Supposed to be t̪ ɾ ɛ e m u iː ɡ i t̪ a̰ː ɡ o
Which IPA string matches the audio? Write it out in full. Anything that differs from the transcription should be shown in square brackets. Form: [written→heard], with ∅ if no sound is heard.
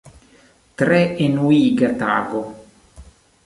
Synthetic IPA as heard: t̪ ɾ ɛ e [m→n] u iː ɡ [i→a] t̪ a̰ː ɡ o